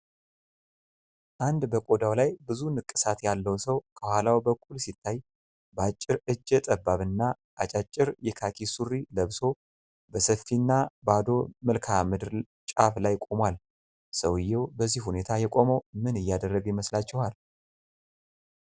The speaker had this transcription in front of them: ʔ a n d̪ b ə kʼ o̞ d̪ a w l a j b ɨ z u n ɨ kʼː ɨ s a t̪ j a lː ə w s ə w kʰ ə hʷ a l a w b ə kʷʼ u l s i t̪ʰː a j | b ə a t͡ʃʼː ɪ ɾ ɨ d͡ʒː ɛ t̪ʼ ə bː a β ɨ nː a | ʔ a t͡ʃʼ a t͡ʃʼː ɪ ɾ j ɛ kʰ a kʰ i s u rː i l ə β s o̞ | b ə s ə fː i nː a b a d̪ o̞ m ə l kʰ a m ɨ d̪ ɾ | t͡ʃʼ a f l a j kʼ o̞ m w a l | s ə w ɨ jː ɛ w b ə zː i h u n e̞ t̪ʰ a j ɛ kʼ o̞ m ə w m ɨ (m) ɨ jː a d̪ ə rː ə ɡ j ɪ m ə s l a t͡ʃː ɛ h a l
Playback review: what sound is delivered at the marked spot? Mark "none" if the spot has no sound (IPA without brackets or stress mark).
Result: n